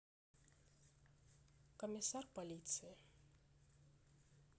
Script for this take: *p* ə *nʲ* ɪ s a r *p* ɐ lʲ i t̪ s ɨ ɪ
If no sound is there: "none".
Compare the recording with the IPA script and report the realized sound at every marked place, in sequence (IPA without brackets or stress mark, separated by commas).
k, mʲ, p